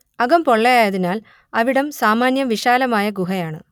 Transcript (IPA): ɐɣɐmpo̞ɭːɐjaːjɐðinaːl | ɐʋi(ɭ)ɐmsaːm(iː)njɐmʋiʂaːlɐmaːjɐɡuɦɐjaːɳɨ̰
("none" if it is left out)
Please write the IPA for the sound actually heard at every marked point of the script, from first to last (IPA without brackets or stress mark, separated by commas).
ɽ, aː